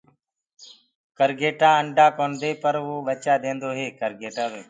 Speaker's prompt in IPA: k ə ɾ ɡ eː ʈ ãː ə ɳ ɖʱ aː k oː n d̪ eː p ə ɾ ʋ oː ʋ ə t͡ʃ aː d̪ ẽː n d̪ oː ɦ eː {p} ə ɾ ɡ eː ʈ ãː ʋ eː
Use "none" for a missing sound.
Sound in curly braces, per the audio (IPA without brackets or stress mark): k